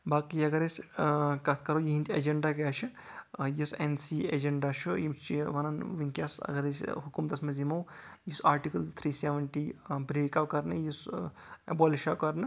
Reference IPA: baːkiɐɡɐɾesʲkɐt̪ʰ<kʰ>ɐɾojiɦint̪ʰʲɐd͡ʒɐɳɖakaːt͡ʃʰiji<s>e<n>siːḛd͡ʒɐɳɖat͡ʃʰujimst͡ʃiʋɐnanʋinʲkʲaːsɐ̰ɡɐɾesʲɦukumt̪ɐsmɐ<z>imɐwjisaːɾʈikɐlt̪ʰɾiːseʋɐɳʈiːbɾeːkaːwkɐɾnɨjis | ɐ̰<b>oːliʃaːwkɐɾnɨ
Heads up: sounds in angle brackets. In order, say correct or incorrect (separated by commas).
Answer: incorrect, correct, correct, correct, correct